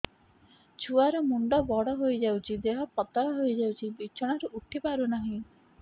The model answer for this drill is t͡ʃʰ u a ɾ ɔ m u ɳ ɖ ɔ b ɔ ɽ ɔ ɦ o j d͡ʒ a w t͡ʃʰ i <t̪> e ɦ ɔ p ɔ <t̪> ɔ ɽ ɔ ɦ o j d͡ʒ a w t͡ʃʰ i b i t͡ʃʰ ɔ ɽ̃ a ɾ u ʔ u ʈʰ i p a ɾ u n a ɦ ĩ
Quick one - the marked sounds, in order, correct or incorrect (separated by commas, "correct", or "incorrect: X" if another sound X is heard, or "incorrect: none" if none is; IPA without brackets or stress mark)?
incorrect: d̪, correct